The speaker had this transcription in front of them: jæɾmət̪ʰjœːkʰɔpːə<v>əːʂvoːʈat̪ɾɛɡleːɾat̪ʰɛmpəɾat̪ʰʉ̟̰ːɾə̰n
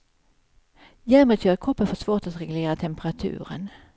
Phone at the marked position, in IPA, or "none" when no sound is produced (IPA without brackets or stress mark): f